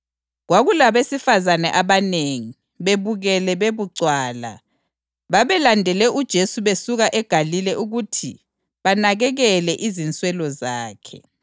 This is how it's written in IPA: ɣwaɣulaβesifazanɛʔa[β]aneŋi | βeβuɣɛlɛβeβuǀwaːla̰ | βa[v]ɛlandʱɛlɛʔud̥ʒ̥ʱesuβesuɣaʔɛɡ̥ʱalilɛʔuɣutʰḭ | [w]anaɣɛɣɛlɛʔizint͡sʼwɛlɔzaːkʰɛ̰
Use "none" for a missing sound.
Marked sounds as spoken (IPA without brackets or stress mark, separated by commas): β, β, β